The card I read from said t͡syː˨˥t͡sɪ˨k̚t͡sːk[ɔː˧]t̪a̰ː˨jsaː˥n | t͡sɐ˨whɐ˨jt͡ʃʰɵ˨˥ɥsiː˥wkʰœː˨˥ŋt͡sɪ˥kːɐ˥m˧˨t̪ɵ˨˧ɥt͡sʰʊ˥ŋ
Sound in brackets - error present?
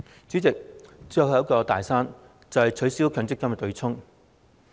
no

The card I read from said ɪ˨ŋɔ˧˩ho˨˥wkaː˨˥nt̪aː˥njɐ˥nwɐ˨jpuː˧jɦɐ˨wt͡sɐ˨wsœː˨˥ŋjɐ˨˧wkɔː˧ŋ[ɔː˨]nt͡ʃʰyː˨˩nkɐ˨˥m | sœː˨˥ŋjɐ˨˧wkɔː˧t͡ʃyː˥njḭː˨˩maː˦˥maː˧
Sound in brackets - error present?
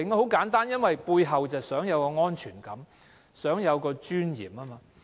yes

